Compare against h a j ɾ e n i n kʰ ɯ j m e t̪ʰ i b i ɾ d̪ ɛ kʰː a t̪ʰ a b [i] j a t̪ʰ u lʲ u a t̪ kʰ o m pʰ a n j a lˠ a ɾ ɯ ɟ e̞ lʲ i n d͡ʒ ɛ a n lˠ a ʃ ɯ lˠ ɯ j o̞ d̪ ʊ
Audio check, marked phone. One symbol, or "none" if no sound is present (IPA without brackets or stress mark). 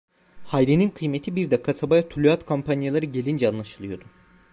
a